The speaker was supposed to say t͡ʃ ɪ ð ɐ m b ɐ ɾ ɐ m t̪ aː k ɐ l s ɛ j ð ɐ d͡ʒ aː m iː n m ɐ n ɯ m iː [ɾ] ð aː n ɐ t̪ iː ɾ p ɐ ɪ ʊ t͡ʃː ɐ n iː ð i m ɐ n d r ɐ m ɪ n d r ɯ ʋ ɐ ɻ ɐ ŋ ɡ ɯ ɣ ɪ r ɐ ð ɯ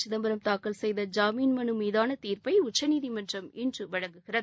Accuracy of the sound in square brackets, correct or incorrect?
incorrect